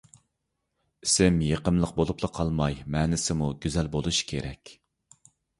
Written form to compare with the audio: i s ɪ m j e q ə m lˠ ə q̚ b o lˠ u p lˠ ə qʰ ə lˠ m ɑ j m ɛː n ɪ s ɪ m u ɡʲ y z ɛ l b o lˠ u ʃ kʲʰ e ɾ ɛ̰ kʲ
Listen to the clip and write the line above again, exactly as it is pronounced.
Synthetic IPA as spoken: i s ɪ m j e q ə m lˠ ə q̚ b o lˠ u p lˠ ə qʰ ɑ lˠ m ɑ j m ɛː n ɪ s ɪ m u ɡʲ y z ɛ l b o lˠ u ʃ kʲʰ e ɾ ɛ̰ kʲ